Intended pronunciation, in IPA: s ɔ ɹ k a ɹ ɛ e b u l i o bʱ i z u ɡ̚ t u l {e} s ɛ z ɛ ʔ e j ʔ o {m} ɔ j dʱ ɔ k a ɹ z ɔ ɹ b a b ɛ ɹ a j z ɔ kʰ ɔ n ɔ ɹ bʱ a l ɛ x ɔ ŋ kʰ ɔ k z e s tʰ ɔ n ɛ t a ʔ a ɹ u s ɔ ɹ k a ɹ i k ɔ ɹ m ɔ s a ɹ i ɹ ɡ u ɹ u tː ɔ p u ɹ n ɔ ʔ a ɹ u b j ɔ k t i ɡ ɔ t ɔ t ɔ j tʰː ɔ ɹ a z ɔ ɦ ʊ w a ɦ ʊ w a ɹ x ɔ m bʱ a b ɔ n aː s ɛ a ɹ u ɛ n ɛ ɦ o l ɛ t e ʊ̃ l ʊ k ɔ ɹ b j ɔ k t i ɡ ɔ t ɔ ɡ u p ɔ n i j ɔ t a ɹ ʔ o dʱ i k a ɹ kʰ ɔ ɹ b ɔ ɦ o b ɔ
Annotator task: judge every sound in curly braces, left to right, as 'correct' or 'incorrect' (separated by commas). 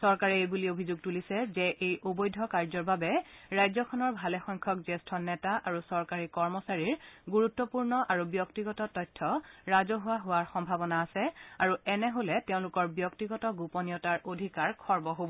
incorrect, incorrect